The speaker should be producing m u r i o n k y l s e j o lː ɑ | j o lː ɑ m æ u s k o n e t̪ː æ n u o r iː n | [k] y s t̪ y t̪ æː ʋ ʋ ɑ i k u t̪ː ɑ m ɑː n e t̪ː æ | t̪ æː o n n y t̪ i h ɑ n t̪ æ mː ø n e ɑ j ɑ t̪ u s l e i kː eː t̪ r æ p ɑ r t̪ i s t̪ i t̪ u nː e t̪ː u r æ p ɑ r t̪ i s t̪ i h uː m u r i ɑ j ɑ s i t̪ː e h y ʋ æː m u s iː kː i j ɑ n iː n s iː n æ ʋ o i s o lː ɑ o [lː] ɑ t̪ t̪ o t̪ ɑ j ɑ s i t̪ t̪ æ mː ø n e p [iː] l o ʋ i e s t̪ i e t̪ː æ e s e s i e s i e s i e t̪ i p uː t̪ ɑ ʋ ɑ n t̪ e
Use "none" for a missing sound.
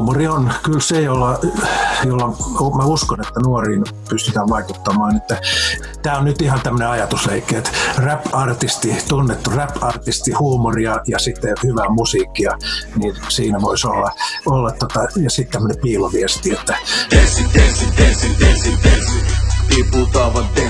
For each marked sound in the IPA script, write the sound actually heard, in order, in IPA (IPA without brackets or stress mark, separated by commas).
p, lː, iː